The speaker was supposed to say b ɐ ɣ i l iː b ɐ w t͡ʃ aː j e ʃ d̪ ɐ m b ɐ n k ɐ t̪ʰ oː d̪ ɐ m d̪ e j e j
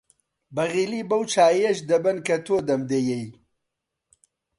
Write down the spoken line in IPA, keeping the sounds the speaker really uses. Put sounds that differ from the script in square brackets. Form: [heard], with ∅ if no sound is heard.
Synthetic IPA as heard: b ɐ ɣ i l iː b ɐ w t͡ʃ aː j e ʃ d̪ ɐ [∅] b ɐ n k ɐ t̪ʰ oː d̪ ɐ m d̪ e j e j